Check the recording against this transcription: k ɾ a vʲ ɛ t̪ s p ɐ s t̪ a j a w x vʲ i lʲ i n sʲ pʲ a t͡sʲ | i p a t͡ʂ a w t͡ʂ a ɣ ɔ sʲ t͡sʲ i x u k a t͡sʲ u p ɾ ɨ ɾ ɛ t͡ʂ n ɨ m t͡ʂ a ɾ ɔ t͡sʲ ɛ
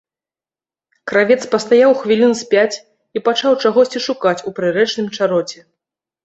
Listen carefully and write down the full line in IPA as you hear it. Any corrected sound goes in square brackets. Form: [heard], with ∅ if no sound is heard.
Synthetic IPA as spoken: k ɾ a vʲ ɛ t̪ s p ɐ s t̪ a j a w x vʲ i lʲ i n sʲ pʲ a t͡sʲ | i p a t͡ʂ a w t͡ʂ a ɣ ɔ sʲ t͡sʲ i [ʂ] u k a t͡sʲ u p ɾ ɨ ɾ ɛ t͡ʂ n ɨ m t͡ʂ a ɾ ɔ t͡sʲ ɛ